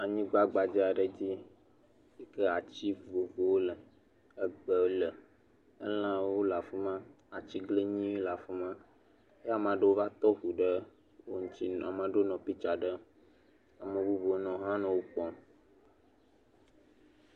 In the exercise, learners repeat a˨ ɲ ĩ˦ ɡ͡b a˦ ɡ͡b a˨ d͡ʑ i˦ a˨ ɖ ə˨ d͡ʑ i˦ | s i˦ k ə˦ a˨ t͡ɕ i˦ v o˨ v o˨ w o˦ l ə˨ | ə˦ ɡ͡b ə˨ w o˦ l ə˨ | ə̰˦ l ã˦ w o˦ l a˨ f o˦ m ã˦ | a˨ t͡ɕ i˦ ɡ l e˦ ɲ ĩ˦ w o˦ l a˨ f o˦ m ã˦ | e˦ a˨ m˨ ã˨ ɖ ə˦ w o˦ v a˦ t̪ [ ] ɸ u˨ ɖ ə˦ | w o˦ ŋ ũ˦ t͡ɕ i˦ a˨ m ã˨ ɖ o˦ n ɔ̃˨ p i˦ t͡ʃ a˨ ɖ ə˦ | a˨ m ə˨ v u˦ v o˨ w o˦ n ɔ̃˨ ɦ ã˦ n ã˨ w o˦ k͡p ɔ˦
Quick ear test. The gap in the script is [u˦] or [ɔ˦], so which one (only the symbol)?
ɔ˦